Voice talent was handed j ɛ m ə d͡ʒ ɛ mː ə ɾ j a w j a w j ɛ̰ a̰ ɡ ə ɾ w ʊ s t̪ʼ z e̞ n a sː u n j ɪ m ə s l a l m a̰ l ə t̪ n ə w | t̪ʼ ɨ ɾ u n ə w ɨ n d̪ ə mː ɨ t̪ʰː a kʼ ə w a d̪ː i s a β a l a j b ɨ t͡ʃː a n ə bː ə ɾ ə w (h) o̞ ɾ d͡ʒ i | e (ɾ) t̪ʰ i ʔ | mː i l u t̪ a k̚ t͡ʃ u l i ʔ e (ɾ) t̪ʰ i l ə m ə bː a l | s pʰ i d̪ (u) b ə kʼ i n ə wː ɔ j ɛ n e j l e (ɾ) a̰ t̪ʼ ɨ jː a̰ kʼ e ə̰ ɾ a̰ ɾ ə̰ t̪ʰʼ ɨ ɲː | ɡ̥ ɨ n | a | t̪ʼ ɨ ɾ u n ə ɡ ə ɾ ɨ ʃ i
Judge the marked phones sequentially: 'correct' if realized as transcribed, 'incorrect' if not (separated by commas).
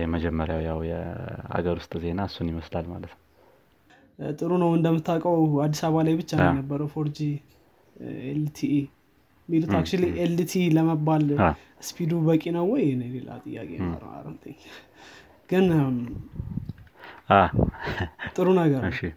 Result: incorrect, incorrect, incorrect, correct, incorrect